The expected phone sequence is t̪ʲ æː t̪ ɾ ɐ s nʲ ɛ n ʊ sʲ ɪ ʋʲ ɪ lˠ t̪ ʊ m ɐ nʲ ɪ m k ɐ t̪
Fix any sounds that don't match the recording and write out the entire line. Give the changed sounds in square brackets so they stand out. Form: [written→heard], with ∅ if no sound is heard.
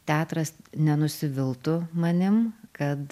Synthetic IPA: t̪ʲ æː t̪ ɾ ɐ s nʲ ɛ n ʊ sʲ ɪ ʋʲ ɪ lˠ t̪ ʊ m ɐ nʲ ɪ m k ɐ t̪